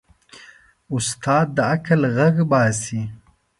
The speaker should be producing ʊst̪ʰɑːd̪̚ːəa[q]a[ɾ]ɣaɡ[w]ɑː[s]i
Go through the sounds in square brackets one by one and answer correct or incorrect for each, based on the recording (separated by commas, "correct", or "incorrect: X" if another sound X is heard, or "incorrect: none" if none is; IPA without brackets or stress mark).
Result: incorrect: k, incorrect: l, incorrect: b, correct